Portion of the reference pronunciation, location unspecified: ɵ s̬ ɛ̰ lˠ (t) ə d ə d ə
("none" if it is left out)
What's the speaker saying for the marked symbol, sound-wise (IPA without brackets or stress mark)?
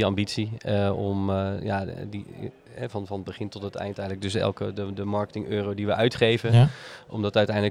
k